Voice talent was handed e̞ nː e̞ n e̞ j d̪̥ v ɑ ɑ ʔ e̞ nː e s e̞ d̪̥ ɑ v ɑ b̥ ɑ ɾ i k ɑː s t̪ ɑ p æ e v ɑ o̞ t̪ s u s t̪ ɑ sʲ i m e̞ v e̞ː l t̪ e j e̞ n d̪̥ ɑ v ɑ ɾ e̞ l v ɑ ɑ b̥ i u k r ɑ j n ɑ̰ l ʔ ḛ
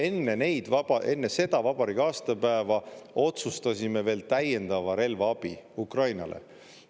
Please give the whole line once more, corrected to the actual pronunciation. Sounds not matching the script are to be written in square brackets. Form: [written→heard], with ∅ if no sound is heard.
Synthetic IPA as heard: e̞ nː e̞ n e̞ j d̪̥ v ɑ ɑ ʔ e̞ nː e s e̞ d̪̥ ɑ v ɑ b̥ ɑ ɾ i k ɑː s t̪ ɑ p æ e v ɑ o̞ t̪ s u s t̪ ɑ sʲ i m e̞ v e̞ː l t̪ [e→æ] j e̞ n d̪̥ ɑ v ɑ ɾ e̞ l v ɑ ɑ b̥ i u k r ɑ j n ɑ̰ l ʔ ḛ